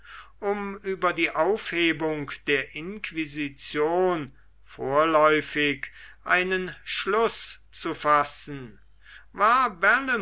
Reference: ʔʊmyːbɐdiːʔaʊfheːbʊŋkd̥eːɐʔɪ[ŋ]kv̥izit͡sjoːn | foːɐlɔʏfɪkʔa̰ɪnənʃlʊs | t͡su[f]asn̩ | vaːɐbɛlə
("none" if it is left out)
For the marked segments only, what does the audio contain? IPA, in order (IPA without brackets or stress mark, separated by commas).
n, f